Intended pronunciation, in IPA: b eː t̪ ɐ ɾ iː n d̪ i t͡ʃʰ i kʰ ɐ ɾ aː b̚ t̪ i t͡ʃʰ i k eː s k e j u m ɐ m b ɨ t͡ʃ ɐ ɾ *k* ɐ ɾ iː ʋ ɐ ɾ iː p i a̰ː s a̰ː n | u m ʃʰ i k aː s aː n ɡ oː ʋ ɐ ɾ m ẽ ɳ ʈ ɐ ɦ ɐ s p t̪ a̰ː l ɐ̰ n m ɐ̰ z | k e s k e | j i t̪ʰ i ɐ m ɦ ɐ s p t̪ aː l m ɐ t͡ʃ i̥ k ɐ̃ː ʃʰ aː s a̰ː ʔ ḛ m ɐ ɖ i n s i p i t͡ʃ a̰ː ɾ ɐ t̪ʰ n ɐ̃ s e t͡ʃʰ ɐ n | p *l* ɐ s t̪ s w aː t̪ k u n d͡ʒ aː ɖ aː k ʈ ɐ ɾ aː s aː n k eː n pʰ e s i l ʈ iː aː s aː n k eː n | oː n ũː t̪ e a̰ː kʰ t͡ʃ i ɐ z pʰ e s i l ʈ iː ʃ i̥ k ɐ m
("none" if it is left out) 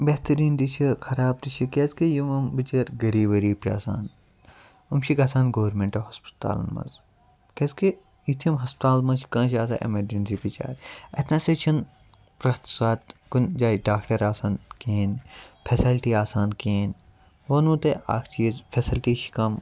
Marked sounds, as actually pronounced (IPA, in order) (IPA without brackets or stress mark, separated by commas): ɡ, ɾ